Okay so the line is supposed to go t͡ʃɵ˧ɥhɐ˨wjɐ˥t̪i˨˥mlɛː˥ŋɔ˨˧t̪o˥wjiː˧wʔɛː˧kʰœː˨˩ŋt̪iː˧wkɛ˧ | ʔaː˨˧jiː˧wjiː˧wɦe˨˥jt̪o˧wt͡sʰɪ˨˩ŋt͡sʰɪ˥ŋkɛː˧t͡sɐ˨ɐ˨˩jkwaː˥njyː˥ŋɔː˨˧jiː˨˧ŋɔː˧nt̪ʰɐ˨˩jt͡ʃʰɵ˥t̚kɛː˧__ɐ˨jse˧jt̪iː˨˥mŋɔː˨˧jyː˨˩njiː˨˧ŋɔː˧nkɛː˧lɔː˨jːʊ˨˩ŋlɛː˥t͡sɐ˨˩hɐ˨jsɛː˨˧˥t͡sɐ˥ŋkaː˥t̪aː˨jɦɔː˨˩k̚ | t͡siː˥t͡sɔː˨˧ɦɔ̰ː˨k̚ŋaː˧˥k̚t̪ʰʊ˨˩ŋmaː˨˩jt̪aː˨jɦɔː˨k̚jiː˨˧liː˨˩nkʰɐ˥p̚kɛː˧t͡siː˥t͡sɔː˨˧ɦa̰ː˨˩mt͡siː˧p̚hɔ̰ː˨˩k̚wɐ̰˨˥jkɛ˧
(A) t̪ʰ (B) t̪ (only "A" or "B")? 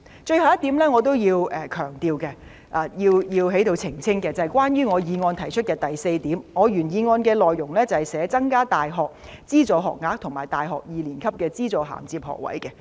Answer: B